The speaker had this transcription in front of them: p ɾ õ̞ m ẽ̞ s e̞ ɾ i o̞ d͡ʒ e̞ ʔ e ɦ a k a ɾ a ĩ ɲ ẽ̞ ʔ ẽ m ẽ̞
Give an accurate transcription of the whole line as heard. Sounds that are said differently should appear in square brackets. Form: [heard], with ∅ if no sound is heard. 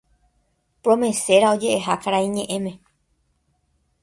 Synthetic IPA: p ɾ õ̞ m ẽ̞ s e̞ ɾ [a] o̞ d͡ʒ e̞ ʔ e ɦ a k a ɾ a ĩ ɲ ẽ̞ ʔ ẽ m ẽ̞